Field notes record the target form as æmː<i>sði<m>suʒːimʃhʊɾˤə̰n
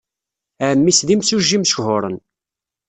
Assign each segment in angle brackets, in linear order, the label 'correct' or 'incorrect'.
correct, correct

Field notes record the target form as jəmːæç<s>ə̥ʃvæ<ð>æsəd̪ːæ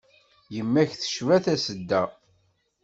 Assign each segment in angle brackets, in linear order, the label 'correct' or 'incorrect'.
incorrect: θ, incorrect: θ

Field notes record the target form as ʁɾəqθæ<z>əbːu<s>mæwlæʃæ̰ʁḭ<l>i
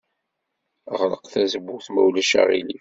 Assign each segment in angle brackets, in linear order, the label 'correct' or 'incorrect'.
correct, incorrect: θ, correct

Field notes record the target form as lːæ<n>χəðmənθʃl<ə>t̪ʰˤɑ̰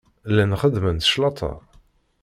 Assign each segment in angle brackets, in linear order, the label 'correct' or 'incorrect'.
correct, incorrect: ɑ

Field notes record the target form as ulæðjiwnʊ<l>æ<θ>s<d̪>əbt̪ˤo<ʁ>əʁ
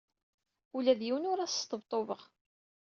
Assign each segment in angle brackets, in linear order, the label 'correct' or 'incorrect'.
incorrect: ɾ, incorrect: s, incorrect: t̪, incorrect: v

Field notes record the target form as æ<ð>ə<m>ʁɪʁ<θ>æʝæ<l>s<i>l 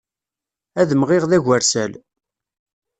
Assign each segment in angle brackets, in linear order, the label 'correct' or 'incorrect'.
correct, correct, incorrect: ð, incorrect: ɾ, incorrect: æ

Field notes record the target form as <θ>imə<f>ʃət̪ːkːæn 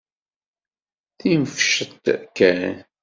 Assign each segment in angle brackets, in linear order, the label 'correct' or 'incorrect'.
correct, correct

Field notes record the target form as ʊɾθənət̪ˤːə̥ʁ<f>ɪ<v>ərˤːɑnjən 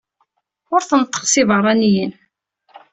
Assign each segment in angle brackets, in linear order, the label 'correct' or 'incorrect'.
incorrect: s, correct

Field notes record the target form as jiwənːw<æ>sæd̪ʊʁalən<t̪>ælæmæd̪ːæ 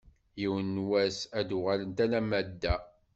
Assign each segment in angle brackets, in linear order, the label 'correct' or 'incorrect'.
correct, correct

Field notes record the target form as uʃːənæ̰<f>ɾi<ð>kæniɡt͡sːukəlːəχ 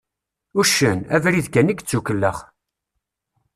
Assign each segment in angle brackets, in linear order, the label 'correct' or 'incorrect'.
incorrect: v, correct

